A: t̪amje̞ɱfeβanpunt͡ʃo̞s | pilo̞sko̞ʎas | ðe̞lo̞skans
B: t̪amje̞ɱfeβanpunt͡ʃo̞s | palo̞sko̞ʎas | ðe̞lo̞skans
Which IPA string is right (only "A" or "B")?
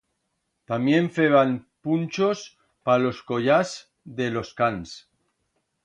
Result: B